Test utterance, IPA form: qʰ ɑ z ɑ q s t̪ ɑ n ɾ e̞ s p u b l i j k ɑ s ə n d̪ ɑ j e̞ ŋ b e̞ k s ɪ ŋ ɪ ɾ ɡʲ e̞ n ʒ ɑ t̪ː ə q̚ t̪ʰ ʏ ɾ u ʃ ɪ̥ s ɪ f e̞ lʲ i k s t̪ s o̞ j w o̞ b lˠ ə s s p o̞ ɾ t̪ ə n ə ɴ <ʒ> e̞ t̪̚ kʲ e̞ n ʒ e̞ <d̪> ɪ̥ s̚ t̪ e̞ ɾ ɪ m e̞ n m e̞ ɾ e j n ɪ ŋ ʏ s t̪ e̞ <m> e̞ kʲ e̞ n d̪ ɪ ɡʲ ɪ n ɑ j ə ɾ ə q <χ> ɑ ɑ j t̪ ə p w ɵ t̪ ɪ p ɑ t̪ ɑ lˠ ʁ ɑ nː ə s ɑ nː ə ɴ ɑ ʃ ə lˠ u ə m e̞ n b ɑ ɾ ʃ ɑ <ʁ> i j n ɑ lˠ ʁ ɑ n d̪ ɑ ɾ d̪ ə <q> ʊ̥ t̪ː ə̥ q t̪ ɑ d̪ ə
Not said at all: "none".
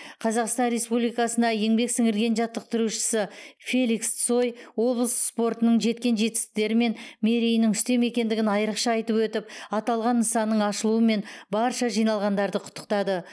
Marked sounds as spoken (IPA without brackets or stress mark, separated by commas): ʒ, t̪, m, ʃ, ʒ, qʰ